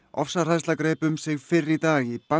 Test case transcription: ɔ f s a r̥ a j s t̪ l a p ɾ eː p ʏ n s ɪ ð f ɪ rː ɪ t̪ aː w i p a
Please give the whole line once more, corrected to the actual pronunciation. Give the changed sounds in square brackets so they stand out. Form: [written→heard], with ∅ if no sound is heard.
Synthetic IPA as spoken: ɔ f s a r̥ a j s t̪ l a [p→k] ɾ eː p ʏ [n→m] s ɪ [ð→ɣ] f ɪ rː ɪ t̪ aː [w→ɣ] i p a